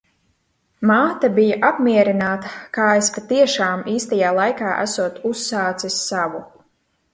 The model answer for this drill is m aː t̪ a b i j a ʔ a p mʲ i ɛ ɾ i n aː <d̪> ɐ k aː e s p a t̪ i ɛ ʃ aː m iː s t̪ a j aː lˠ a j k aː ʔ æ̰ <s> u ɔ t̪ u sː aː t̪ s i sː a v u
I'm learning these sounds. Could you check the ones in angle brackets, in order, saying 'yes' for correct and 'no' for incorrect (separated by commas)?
no, yes